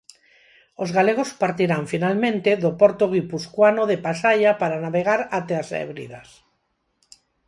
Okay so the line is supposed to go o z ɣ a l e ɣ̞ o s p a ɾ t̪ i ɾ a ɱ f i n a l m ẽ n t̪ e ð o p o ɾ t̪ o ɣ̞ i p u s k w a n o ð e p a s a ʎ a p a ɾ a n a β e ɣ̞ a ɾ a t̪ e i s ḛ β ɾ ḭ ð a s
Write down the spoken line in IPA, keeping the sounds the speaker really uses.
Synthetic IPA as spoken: o z ɣ a l e ɣ̞ o s p a ɾ t̪ i ɾ a ɱ f i n a l m ẽ n t̪ e ð o p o ɾ t̪ o ɣ̞ i p u s k w a n o ð e p a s a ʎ a p a ɾ a n a β e ɣ̞ a ɾ a t̪ e a s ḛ β ɾ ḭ ð a s